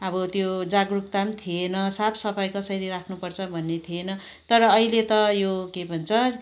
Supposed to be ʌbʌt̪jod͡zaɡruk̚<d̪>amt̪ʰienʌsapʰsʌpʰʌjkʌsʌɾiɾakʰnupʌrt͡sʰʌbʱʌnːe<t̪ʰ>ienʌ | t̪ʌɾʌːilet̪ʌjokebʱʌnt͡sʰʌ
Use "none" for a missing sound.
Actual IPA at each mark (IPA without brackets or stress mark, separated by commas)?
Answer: t̪, t̪ʰ